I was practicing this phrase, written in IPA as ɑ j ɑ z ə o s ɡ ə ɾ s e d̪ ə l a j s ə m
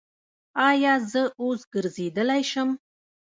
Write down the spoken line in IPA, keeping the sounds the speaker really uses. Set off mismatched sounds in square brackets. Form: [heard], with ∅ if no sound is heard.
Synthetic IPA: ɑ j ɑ z ə o s ɡ ə ɾ [z] e d̪ ə l a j [ʃ] ə m